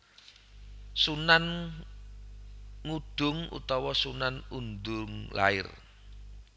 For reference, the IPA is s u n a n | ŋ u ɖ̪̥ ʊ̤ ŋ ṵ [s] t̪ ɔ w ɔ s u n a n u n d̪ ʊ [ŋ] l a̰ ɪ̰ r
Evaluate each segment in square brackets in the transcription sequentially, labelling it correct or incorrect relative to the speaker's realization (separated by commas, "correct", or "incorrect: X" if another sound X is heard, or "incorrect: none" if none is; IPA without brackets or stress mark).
incorrect: none, correct